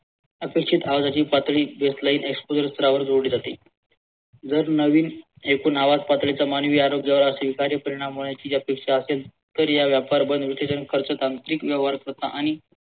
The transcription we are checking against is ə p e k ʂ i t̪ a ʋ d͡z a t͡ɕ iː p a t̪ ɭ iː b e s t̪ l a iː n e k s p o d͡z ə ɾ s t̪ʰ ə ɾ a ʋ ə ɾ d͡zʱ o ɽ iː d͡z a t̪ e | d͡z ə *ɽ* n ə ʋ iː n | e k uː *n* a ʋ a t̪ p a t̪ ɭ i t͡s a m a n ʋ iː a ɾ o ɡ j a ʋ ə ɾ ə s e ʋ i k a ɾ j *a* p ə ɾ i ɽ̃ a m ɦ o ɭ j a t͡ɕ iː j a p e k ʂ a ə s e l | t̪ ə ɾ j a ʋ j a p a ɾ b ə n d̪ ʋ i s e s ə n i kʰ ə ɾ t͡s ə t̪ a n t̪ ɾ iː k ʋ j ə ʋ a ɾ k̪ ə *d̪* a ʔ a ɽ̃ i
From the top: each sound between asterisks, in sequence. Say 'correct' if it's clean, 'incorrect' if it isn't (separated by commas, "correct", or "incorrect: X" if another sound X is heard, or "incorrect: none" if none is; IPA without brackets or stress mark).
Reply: incorrect: ɾ, correct, incorrect: ə, incorrect: t̪